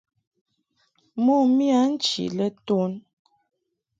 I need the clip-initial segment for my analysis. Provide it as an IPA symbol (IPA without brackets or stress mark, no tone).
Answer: m